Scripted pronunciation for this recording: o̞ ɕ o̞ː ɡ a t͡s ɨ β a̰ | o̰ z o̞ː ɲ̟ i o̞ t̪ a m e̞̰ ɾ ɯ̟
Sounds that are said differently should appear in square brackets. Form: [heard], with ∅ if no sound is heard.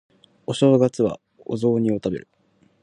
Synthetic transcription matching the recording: o̞ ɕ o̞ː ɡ a t͡s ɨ β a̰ | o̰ z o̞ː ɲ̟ i o̞ t̪ a [b] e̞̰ ɾ ɯ̟